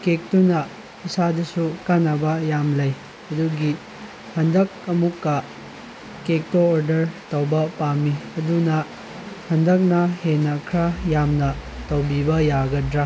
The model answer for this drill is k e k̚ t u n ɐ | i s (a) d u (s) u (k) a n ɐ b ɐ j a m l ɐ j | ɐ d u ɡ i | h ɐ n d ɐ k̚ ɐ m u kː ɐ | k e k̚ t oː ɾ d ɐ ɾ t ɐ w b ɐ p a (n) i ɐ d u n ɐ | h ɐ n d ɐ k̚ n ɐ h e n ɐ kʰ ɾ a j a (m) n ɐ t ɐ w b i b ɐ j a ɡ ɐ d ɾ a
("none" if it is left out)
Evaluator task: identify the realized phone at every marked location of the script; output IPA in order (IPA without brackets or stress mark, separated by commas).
a, s, k, m, m